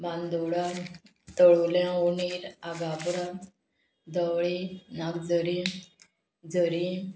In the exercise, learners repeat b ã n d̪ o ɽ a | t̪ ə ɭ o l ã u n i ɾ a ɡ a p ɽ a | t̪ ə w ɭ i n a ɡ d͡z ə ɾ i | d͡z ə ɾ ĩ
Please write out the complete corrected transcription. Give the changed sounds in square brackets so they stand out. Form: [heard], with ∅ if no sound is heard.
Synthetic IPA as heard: b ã n d̪ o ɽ a | t̪ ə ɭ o l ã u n i ɾ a ɡ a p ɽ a | [d̪] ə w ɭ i n a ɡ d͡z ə ɾ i | d͡z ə ɾ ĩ